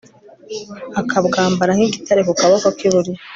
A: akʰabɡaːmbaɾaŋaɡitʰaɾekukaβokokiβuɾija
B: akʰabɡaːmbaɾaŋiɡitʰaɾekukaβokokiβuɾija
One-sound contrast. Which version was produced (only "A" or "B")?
B